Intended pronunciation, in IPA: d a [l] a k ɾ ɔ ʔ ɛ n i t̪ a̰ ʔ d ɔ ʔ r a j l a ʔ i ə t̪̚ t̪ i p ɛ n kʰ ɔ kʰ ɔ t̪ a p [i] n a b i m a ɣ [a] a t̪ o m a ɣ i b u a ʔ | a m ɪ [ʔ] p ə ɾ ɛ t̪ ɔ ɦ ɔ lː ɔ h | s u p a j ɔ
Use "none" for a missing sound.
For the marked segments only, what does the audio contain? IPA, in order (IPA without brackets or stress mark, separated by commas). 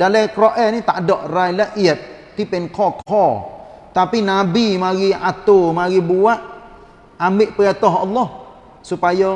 l, i, i, ʔ